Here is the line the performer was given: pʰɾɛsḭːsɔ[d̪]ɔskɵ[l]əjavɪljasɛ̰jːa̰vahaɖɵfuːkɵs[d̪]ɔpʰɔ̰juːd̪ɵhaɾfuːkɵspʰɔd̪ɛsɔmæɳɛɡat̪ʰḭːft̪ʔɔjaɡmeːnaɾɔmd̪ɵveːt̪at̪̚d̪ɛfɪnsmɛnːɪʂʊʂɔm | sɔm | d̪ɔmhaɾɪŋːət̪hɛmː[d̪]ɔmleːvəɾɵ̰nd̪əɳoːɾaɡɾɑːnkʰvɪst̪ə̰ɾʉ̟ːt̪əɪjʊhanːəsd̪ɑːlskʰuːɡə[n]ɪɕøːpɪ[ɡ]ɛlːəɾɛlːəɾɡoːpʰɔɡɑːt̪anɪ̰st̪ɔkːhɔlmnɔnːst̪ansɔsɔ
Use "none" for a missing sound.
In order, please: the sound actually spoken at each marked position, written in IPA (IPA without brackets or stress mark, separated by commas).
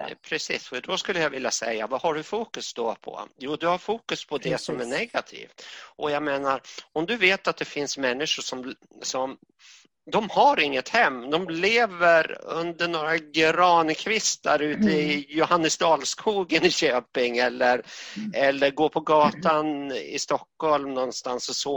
d̪, lː, d̪, d̪, n, ŋ